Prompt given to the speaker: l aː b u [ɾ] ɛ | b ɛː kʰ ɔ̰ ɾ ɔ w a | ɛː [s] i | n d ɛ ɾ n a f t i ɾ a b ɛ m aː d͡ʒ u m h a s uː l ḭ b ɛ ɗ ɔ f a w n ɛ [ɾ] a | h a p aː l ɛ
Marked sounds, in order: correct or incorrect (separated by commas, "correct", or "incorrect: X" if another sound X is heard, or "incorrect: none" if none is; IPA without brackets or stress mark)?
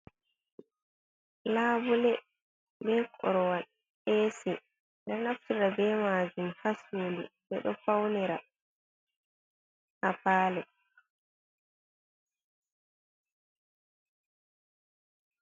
incorrect: l, correct, correct